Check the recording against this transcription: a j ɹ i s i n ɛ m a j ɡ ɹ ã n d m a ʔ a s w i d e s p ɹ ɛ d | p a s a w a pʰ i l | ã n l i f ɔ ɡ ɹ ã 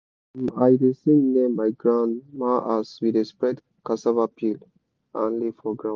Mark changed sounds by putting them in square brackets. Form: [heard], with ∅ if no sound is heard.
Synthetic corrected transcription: a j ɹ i s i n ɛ m a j ɡ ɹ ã n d m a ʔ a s w i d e s p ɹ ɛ d | [k] a s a [v] a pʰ i l | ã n l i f ɔ ɡ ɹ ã